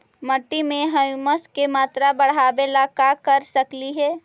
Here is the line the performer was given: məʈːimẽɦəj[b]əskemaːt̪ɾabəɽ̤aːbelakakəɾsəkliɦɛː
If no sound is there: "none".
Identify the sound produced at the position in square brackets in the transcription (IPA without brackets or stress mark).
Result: m